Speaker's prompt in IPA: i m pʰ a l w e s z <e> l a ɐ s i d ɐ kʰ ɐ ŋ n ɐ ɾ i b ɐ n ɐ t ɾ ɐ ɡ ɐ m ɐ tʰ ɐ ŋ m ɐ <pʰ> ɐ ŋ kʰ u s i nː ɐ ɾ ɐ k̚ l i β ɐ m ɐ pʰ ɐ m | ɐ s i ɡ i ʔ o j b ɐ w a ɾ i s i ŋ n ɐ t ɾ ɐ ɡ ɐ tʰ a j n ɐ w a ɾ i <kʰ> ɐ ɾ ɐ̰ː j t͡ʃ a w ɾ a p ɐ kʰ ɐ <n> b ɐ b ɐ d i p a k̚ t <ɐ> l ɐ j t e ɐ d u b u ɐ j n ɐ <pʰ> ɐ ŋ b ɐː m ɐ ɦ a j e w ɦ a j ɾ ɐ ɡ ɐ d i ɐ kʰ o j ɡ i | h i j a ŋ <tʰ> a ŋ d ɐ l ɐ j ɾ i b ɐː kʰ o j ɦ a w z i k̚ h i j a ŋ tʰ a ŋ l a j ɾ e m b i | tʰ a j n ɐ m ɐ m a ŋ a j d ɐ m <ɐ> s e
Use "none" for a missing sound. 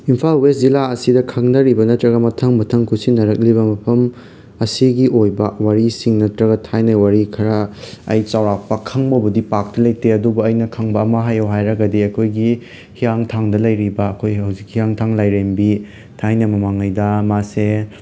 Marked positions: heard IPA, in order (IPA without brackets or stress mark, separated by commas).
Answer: i, tʰ, kʰ, ŋ, ɐ, kʰ, tʰ, a